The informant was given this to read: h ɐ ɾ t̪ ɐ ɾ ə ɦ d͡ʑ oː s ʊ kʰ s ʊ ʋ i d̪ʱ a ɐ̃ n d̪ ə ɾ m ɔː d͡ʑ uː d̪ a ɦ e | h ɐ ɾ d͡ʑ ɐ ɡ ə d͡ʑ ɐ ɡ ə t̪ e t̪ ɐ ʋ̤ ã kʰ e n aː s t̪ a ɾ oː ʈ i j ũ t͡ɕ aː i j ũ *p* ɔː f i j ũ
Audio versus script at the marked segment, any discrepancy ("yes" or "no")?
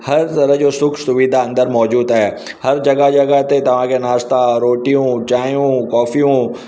yes